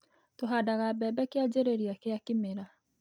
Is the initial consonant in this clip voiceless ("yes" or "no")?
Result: yes